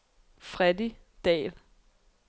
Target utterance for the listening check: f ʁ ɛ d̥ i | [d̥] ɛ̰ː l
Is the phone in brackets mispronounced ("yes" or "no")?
no